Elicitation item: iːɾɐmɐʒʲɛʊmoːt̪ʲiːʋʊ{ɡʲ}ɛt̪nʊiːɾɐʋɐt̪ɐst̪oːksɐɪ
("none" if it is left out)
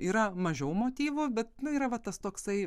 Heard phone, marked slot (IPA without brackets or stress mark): bʲ